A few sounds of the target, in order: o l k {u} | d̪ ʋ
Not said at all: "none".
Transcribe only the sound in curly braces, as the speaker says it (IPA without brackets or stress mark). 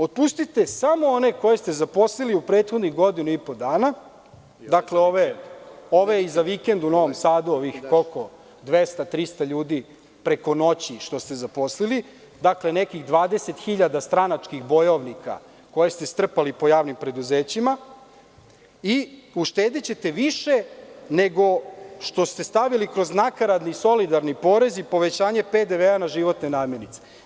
o